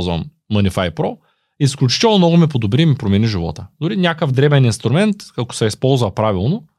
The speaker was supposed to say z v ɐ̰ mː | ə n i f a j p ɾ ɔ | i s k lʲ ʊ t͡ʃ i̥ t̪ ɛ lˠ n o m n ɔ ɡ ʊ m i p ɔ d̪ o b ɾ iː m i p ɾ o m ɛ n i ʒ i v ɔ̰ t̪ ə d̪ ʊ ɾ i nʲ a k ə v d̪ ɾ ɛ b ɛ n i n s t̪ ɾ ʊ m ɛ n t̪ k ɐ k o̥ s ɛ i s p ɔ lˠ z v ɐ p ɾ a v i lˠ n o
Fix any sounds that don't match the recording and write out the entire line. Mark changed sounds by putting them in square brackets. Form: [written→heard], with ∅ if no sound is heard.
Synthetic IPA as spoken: z v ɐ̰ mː | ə n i f a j p ɾ ɔ | i s k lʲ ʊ t͡ʃ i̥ t̪ ɛ lˠ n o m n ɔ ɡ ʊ m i p [ɔ→o] d̪ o b ɾ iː m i p ɾ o m ɛ n i ʒ i v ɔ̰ t̪ ə d̪ ʊ ɾ i nʲ a k ə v d̪ ɾ ɛ b ɛ n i n s t̪ ɾ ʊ m ɛ n t̪ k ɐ k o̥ s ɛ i s p ɔ lˠ z v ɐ p ɾ a v i lˠ n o